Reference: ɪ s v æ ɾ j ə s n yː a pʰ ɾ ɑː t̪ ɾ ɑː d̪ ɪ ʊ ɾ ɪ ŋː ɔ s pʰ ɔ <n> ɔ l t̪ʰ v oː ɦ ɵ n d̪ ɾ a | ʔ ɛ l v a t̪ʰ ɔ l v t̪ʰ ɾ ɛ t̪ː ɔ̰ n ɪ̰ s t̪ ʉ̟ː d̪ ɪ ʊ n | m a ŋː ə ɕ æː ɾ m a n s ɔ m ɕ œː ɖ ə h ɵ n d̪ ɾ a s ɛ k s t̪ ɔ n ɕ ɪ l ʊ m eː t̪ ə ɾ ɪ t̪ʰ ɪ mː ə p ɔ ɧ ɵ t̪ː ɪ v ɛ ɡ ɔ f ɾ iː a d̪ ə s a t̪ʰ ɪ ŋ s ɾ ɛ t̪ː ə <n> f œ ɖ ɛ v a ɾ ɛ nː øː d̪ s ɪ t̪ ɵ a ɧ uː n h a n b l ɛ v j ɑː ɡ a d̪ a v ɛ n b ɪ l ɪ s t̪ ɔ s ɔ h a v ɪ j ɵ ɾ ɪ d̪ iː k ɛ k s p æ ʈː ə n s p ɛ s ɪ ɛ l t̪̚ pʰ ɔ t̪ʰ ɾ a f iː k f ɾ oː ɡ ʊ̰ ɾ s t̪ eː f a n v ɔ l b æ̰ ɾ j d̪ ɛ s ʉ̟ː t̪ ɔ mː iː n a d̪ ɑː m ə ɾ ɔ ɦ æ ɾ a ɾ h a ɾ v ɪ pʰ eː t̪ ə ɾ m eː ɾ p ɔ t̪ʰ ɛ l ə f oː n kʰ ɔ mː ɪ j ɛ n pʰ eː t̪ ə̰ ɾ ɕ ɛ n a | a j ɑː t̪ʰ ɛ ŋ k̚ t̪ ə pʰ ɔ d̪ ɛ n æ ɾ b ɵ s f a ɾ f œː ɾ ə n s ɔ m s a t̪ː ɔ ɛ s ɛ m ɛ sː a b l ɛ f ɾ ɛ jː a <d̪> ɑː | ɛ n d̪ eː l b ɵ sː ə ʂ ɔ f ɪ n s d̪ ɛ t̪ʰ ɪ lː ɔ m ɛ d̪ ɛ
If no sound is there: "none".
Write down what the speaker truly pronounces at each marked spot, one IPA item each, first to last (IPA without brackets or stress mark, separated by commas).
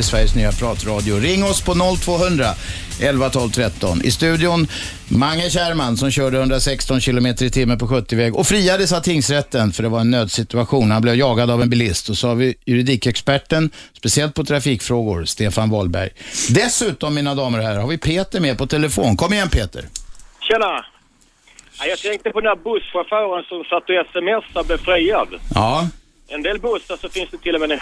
n, n, d̪